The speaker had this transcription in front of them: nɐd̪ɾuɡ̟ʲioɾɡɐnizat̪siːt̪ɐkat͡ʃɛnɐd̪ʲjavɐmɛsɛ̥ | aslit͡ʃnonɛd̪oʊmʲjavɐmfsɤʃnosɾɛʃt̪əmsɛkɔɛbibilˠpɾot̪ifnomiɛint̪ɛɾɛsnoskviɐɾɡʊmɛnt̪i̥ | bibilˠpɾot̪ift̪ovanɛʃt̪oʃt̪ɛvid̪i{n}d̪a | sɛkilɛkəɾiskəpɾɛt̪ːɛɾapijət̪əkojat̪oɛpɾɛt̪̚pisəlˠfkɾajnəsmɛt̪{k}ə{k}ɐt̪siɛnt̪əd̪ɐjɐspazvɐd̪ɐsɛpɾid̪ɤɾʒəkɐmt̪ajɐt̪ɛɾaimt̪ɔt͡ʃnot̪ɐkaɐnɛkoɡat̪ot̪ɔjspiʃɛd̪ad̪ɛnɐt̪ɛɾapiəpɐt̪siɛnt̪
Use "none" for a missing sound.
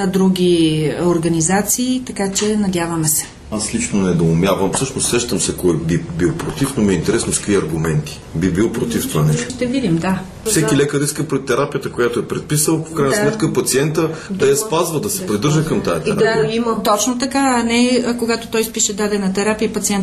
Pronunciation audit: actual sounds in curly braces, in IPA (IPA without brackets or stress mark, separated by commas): m, k, p